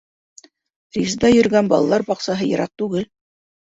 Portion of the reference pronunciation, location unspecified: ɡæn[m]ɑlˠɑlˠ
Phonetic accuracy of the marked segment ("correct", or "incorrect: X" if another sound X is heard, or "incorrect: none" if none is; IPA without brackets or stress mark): incorrect: b